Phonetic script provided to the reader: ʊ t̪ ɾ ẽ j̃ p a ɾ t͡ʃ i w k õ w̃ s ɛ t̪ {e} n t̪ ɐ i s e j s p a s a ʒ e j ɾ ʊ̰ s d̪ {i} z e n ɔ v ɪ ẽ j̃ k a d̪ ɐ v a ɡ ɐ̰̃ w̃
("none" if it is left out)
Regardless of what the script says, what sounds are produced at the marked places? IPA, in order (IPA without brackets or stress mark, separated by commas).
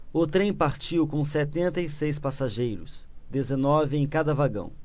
ẽ, e